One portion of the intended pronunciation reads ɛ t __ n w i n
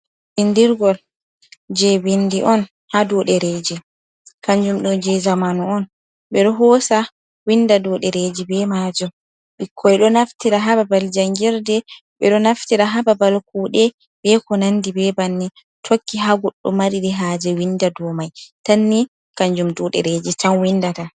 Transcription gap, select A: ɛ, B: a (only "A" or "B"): B